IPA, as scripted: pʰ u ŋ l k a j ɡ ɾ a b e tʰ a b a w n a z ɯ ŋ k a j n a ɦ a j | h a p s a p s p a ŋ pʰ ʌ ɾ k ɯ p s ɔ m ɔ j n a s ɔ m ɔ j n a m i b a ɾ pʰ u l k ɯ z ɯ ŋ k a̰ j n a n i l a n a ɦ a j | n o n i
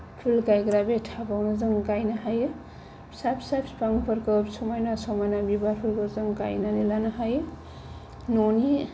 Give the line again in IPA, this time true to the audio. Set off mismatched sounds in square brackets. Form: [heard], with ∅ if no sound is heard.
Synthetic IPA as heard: pʰ u [∅] l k a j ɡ ɾ a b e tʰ a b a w n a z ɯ ŋ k a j n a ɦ a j | [s] a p s a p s p a ŋ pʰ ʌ ɾ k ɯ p s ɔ m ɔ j n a s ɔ m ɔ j n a [b] i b a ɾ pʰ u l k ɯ z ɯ ŋ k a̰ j n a n i l a n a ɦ a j | n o n i